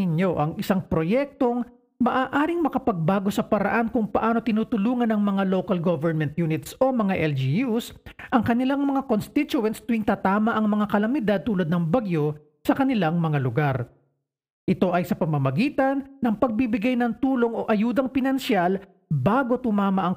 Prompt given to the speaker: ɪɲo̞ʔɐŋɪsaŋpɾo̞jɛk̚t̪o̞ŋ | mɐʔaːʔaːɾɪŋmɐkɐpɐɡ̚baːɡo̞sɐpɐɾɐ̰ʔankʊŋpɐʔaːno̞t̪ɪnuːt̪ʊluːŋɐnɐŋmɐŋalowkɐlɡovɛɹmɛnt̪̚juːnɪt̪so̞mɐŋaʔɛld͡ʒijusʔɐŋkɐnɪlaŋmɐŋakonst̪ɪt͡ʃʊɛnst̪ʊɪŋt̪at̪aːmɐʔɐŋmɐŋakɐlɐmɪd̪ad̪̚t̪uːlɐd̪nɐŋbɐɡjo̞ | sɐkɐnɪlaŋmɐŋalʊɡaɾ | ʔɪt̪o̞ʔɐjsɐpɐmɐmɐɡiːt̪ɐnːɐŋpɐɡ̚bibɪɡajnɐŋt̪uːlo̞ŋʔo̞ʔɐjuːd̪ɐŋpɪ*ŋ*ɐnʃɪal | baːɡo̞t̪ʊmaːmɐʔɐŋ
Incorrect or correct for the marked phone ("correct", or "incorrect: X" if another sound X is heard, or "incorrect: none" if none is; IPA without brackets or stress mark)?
incorrect: n